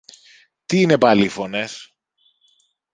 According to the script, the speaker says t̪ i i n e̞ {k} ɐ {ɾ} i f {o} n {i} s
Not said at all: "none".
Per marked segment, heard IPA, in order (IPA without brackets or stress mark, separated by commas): p, l, o, e